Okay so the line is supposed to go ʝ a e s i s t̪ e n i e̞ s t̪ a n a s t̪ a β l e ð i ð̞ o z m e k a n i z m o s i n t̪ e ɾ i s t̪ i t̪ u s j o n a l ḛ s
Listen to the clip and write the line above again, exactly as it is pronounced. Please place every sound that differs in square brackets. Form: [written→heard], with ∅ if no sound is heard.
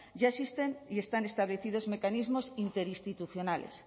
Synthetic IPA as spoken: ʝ a e s i s t̪ e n i e̞ s t̪ a n [a→e] s t̪ a β l e [ð→θ] i ð̞ o z m e k a n i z m o s i n t̪ e ɾ i s t̪ i t̪ u [s→θ] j o n a l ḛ s